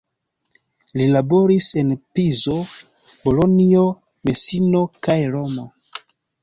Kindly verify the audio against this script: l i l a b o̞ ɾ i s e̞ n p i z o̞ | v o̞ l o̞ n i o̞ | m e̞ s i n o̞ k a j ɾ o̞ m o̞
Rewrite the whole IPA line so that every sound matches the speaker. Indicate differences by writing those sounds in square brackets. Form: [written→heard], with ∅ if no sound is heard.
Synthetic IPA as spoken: l i l a b o̞ ɾ i s e̞ n p i z o̞ | [v→b] o̞ l o̞ n i o̞ | m e̞ s i n o̞ k a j ɾ o̞ m o̞